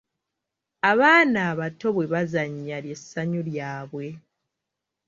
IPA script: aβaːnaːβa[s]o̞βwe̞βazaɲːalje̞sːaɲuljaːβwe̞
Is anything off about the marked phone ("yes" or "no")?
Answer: yes